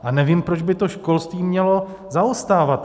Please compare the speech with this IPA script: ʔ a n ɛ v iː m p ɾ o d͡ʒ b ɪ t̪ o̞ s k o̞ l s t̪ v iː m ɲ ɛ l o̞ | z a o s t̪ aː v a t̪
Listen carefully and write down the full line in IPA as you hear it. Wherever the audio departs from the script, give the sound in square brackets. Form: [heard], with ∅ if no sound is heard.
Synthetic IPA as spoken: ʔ a n ɛ v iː m p ɾ o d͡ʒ b ɪ t̪ o̞ [ʃ] k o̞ l s t̪ v iː m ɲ ɛ l o̞ | z a o s t̪ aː v a t̪